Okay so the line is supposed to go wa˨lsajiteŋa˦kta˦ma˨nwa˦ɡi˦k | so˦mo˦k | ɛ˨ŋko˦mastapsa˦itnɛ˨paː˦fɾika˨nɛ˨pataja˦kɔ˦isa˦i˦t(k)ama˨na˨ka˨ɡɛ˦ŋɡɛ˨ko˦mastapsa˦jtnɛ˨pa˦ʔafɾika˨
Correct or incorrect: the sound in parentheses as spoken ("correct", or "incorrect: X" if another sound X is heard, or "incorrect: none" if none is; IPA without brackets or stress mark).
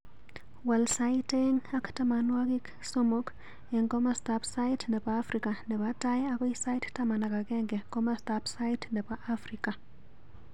incorrect: t